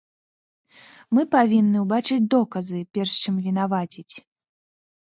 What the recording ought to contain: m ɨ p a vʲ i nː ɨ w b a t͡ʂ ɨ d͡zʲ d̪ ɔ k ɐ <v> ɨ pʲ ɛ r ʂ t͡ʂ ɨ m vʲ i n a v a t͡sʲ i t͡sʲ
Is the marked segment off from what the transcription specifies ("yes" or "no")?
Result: yes